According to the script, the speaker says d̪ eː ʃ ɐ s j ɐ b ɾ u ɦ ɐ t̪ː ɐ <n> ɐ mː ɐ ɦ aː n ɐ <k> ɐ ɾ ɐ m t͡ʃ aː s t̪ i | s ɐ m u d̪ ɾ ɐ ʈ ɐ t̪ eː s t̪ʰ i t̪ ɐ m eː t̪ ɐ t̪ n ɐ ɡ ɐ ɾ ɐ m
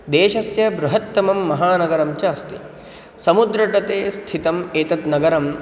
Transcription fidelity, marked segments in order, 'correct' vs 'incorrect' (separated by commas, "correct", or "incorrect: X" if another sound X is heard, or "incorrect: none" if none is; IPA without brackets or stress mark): incorrect: m, incorrect: ɡ